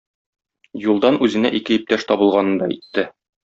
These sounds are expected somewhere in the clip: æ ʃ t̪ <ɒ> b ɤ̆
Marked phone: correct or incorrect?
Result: correct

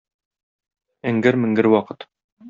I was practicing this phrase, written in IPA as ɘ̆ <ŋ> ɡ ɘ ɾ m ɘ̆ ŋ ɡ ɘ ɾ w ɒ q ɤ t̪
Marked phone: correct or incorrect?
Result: correct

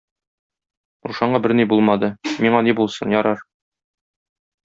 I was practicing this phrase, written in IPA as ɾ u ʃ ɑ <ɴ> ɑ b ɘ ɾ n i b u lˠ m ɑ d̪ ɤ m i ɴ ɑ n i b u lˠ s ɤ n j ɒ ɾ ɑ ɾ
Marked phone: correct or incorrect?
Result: correct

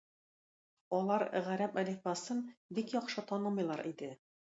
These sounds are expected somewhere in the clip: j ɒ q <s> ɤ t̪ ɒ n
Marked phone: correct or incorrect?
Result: incorrect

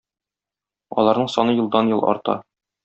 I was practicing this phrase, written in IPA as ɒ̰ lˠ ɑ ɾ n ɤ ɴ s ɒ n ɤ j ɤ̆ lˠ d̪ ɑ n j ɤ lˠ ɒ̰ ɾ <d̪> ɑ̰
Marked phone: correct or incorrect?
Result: incorrect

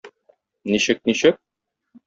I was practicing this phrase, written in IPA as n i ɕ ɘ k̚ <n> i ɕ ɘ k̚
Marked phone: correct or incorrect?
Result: correct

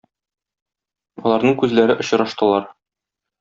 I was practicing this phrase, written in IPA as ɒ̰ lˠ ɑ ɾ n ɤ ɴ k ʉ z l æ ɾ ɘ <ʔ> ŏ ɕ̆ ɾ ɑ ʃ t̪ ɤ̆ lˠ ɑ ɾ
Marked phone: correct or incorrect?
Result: correct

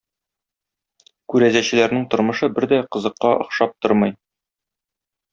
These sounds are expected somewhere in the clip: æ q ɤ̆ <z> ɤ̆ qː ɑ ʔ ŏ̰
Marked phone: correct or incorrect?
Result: correct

